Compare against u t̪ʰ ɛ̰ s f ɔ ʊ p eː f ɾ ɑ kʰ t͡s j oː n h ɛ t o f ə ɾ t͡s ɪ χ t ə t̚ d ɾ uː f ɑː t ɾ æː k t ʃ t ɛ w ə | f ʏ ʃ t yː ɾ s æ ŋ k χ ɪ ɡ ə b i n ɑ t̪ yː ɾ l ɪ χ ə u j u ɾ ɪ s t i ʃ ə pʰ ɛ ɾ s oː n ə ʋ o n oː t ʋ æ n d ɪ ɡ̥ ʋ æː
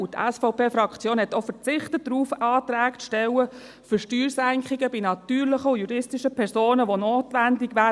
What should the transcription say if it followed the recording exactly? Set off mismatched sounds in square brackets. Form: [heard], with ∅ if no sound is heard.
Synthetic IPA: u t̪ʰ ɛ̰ s f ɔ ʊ p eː f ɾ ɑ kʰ t͡s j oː n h ɛ t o f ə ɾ t͡s ɪ χ t ə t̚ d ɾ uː f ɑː t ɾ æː k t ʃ t ɛ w ə | f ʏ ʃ t yː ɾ s æ ŋ k χ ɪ ɡ ə b i n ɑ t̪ yː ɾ l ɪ χ ə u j u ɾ ɪ s t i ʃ ə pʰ ɛ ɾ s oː n ə ʋ o n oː t ʋ æ n d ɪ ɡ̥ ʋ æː